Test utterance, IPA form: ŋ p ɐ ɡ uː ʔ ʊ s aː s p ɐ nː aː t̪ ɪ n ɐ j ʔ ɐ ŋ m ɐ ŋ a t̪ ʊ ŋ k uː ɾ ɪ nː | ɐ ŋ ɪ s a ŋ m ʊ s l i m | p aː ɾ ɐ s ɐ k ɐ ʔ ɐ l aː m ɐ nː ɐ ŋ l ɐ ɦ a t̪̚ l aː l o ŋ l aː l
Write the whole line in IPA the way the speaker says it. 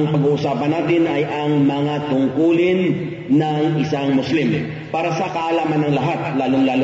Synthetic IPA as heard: ŋ p ɐ ɡ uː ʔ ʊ s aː p ɐ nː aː t̪ ɪ n ɐ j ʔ ɐ ŋ m ɐ ŋ a t̪ ʊ ŋ k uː l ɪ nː | ɐ ŋ ɪ s a ŋ m ʊ s l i m | p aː ɾ ɐ s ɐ k ɐ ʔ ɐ l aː m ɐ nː ɐ ŋ l ɐ ɦ a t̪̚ l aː l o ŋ l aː l